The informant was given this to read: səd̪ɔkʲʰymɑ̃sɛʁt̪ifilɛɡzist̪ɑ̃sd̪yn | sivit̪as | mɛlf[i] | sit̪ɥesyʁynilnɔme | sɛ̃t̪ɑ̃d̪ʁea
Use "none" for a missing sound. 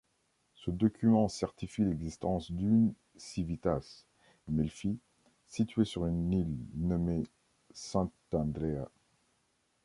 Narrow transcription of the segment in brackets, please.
i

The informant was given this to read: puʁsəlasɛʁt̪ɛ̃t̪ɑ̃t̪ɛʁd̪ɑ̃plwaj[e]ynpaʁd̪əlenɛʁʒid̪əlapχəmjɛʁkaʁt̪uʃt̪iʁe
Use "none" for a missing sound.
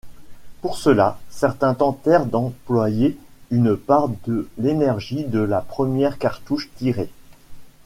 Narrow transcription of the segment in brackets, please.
e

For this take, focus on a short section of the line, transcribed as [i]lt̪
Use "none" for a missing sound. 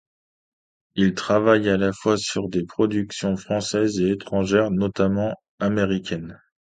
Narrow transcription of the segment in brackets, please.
i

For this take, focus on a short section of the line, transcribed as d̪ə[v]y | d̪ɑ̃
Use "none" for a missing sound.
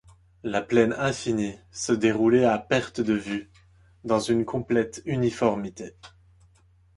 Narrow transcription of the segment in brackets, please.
v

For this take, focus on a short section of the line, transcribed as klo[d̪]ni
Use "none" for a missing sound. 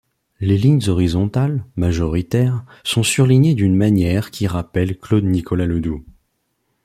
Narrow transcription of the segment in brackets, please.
d̪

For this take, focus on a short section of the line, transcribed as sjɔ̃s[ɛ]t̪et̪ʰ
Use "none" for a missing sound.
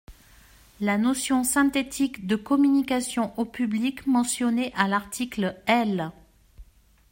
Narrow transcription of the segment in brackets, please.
ɛ̃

